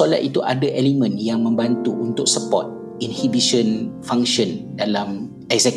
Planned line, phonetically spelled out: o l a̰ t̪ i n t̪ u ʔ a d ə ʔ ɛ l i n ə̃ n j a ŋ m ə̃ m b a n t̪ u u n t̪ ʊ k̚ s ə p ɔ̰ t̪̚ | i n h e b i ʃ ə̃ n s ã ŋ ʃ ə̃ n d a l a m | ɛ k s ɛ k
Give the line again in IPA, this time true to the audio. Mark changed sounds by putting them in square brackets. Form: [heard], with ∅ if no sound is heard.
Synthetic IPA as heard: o l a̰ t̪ i [∅] t̪ u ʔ a d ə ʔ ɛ l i [m] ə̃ n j a ŋ m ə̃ m b a n t̪ u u n t̪ ʊ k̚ s ə p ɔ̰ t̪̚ | i n h [i] b i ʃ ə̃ n [f] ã ŋ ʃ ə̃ n d a l a m | ɛ k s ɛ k